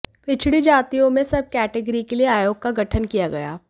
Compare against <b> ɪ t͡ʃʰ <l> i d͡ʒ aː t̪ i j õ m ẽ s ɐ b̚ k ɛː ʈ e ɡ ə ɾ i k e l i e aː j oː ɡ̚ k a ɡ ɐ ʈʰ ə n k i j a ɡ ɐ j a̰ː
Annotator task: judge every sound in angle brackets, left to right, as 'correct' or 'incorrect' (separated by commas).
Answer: incorrect, incorrect